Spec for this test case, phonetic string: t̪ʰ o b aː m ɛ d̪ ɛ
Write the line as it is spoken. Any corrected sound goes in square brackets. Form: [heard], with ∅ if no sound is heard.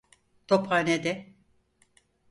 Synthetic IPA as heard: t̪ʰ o [p] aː [n] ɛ d̪ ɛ